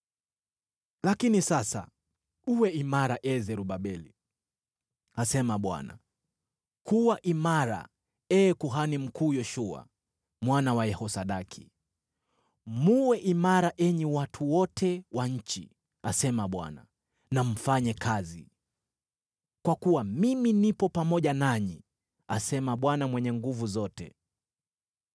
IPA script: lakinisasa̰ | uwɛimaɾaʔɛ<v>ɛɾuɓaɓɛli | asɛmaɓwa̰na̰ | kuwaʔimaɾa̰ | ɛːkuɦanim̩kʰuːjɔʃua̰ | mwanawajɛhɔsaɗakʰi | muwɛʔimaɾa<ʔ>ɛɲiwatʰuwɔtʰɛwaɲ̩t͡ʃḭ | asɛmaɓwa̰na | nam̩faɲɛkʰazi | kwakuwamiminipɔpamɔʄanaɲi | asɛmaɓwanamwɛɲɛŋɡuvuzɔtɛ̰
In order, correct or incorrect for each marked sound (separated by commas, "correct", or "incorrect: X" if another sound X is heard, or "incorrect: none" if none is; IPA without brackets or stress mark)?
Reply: incorrect: z, correct